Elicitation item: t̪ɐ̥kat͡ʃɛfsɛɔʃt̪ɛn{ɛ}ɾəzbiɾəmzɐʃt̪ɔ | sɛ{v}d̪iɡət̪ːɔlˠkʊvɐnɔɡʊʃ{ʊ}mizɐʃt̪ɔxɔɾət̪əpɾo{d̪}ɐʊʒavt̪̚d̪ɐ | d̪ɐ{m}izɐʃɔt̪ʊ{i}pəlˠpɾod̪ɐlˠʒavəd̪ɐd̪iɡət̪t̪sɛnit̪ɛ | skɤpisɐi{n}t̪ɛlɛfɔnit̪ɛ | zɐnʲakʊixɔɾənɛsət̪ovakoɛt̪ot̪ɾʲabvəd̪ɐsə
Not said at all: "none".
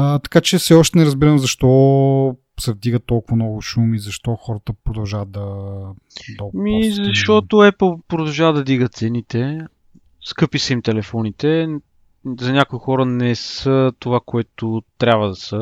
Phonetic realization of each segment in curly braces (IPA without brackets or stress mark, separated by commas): ɛ, v, u, d̪, m, ɛ, m